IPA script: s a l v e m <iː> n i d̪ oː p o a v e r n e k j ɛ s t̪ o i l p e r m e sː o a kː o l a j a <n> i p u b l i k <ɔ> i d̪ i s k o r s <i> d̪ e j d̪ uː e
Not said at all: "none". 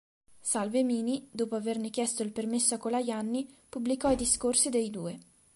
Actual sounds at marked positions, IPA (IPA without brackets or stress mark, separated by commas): iː, nː, ɔ, i